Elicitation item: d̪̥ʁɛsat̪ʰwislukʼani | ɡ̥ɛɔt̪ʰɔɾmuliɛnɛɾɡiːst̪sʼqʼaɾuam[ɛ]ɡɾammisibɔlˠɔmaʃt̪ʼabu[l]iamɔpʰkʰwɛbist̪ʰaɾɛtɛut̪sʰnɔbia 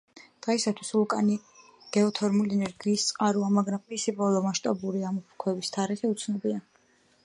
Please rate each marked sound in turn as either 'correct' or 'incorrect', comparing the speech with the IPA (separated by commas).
incorrect, incorrect